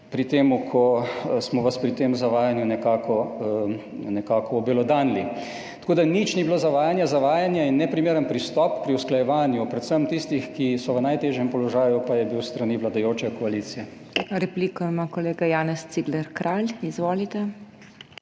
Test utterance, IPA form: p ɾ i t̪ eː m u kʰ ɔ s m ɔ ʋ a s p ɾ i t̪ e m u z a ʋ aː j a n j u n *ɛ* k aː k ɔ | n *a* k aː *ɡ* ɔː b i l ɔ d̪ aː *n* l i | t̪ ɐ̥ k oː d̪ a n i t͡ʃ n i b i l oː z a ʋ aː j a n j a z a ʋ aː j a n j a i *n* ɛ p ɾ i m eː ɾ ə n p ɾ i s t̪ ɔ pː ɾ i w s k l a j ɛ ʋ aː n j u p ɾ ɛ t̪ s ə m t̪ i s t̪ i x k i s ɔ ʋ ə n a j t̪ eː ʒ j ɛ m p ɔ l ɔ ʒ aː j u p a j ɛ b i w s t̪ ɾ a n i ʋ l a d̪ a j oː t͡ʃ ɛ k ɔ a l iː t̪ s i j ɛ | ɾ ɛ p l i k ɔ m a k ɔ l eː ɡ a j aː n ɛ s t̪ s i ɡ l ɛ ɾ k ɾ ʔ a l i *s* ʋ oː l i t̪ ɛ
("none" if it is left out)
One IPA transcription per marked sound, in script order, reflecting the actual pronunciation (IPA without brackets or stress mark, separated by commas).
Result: ɛ, ɛ, k, n, nː, z